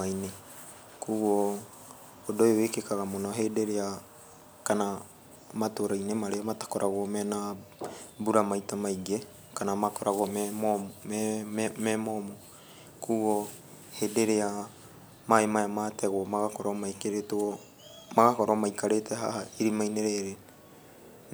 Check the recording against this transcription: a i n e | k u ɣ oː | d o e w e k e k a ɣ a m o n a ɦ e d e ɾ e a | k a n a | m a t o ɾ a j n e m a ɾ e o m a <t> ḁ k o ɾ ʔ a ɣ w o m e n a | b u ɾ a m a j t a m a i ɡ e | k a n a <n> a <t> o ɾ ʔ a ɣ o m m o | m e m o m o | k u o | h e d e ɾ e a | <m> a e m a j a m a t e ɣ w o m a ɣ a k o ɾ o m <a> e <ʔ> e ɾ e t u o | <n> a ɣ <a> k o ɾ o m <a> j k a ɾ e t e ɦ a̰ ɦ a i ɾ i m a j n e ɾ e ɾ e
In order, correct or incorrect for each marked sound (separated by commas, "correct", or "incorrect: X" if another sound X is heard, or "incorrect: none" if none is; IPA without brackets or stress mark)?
correct, incorrect: m, incorrect: k, correct, correct, incorrect: k, incorrect: m, correct, correct